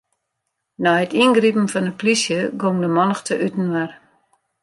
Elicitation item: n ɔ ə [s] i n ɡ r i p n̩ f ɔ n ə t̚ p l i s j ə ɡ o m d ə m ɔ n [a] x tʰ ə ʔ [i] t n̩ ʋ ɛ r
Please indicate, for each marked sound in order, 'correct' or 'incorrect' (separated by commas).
incorrect, incorrect, incorrect